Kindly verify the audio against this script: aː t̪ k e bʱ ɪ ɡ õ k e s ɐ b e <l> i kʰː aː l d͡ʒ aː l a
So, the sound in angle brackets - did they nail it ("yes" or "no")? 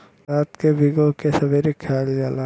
no